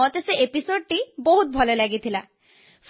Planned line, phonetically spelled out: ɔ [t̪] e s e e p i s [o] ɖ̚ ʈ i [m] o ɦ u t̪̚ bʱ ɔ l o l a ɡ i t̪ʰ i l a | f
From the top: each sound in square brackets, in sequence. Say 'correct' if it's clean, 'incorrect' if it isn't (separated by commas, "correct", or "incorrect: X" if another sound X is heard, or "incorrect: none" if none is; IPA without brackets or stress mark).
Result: correct, correct, incorrect: b